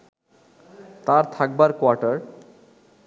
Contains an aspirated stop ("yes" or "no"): yes